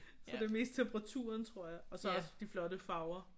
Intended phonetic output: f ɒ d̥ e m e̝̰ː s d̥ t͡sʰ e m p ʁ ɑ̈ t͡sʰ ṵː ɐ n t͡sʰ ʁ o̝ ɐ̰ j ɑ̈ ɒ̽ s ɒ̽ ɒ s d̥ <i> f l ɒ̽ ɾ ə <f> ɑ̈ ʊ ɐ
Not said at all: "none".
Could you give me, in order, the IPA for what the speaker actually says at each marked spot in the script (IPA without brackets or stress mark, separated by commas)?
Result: i, f